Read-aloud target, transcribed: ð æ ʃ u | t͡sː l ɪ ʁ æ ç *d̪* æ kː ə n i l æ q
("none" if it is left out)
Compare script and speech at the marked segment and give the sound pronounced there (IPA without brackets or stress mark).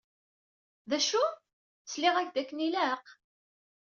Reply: d̪